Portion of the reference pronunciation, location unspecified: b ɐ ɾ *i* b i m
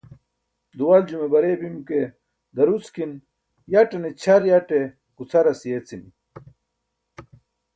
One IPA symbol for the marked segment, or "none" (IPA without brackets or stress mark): e